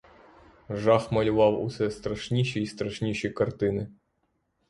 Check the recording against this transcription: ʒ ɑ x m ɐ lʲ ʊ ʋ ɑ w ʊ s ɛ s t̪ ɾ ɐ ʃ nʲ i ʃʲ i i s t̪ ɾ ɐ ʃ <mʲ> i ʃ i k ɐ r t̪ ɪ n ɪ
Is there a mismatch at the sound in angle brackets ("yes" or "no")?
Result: yes